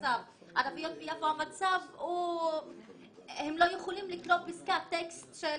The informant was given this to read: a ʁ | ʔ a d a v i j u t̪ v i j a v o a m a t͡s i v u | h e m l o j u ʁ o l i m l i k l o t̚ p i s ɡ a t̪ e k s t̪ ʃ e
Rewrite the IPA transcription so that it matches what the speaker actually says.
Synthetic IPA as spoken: a v | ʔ a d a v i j o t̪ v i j a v o a m a t͡s a v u | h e m l o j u χ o l i m l i k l o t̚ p i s k a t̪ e k s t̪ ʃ e